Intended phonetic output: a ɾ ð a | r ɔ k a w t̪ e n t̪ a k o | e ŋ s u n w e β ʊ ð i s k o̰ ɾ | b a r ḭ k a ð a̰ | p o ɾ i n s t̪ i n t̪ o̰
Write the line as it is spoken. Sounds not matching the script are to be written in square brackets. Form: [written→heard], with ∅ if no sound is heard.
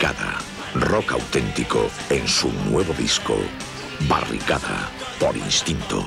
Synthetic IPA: a [ɾ→∅] ð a | r ɔ k a w t̪ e n t̪ [a→i] k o | e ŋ s u n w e β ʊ ð i s k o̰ [ɾ→∅] | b a r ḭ k a ð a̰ | p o ɾ i n s t̪ i n t̪ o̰